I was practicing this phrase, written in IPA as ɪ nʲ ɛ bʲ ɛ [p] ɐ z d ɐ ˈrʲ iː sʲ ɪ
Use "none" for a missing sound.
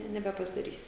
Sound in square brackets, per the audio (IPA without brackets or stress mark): p